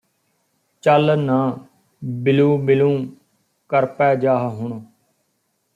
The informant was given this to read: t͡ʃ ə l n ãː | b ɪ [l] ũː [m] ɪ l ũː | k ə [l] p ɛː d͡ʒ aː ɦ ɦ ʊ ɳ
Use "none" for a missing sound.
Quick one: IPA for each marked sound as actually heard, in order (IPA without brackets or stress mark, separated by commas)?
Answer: l, b, ɾ